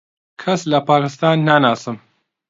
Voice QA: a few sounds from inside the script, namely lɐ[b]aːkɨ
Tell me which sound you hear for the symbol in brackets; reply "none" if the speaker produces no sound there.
p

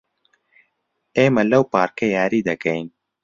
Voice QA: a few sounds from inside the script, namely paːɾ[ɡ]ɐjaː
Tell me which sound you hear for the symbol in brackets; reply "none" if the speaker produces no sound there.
k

